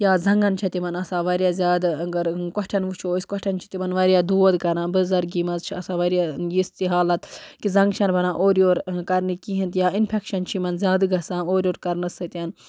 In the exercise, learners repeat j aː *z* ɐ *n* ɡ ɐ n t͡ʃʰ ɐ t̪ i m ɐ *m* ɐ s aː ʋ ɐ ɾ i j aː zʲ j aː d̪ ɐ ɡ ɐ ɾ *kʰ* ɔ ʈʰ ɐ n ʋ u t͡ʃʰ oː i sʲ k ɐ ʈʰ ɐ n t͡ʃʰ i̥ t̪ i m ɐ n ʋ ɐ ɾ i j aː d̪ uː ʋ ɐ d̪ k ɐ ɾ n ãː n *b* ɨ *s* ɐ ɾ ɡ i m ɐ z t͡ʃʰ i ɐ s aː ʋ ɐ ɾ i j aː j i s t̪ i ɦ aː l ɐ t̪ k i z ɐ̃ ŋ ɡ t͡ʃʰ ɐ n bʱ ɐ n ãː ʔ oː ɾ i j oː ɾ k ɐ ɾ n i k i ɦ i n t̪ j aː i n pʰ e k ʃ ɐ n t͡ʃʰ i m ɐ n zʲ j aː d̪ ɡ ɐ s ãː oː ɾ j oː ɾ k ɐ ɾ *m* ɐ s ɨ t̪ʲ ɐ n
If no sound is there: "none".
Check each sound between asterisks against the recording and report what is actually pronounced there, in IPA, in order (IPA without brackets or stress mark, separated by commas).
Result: z, ŋ, n, k, b, z, n